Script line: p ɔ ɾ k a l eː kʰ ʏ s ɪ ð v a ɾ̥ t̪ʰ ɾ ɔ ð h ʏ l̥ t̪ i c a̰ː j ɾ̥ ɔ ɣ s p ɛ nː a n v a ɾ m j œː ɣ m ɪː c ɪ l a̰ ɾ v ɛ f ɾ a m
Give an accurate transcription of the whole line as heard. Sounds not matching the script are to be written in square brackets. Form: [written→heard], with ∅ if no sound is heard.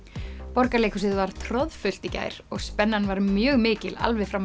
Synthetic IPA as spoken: p ɔ ɾ k a l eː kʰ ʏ s ɪ ð v a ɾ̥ t̪ʰ ɾ ɔ ð [h→f] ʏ l̥ t̪ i c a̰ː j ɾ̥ ɔ ɣ s p ɛ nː a n v a ɾ m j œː ɣ m ɪː c ɪ l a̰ [ɾ→l] v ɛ f ɾ a m